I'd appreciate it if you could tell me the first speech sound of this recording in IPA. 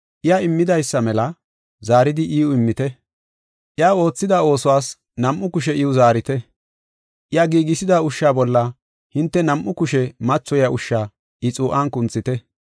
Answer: ʔ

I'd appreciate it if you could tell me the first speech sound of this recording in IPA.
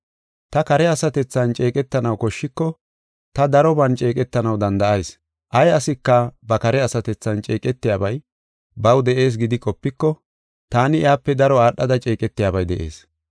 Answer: t̪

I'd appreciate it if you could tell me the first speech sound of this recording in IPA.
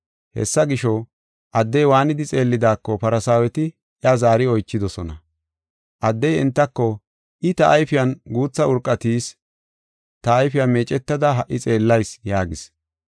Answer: h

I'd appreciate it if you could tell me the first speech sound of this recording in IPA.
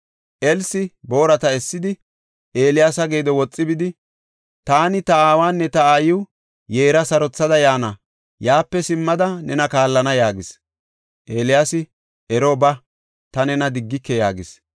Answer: ʔ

